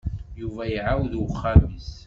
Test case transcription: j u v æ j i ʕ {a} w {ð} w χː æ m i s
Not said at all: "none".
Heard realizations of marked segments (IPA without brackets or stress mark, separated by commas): a, ð